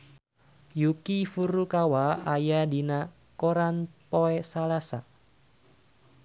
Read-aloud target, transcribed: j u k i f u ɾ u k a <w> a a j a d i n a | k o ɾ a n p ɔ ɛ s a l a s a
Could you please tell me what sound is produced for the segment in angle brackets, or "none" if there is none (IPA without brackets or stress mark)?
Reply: w